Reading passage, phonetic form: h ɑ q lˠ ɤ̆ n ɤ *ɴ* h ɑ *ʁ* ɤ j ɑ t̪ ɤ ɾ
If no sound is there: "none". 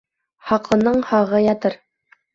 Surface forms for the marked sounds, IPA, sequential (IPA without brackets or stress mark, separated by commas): ɴ, ʁ